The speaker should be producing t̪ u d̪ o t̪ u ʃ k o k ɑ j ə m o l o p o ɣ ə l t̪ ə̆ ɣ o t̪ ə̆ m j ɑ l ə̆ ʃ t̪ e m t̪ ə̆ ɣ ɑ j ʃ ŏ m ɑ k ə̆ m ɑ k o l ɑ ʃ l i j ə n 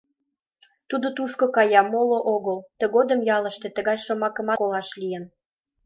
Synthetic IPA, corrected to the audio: t̪ u d̪ o t̪ u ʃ k o k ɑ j ɑ m o l o ʔ o ɣ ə l t̪ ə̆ ɣ o d̪ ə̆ m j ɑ l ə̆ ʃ t̪ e t̪ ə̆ ɣ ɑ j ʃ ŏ m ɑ k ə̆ m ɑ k o l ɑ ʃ l i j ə n